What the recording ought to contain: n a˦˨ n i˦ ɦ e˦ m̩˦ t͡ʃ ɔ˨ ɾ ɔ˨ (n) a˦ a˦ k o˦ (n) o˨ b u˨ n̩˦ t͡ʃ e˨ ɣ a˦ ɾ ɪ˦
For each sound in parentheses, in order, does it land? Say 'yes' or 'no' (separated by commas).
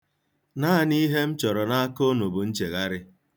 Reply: yes, yes